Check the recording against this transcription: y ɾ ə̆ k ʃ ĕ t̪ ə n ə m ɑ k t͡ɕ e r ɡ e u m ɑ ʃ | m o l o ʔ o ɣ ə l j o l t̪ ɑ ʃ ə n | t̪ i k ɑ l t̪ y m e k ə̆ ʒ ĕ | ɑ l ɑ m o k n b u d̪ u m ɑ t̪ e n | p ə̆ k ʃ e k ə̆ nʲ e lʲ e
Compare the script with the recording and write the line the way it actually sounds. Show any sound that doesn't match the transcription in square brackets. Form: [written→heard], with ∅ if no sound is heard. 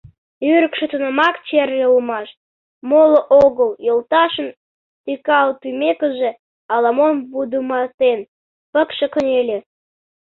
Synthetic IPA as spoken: y ɾ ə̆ k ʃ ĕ t̪ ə n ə m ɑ k t͡ɕ e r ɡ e u m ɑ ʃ | m o l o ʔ o ɣ ə l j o l t̪ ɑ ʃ ə n | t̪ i k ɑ l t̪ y m e k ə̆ ʒ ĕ | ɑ l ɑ m o [k→∅] n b u d̪ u m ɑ t̪ e n | p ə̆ k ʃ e k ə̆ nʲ e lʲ e